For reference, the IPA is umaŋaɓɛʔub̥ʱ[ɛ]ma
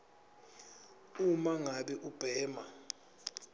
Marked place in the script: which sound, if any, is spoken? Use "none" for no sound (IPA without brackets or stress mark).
ɛː